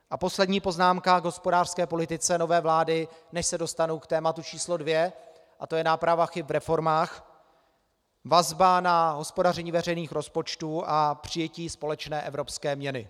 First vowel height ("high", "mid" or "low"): low